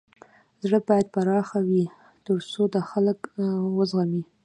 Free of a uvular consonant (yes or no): yes